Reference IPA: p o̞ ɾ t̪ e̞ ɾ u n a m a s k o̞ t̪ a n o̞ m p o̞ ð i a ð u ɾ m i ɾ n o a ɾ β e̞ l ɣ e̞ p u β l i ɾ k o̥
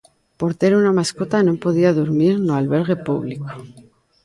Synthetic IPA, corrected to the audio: p o̞ ɾ t̪ e̞ ɾ u n a m a s k o̞ t̪ a n o̞ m p o̞ ð i a ð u ɾ m i ɾ n o a l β e̞ ɾ ɣ e̞ p u β l i k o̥